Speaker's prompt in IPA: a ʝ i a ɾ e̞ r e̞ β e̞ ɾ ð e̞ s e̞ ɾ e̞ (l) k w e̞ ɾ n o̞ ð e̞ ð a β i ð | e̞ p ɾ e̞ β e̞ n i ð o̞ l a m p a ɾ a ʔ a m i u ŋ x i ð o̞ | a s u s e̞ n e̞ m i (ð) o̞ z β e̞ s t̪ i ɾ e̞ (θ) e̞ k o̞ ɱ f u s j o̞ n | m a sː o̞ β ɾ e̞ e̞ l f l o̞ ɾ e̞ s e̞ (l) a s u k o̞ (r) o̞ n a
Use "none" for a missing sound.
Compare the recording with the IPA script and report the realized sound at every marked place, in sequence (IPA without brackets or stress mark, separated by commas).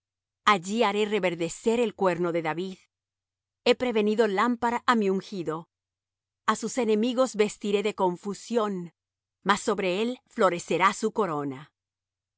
l, ɣ, ð, ɾ, ɾ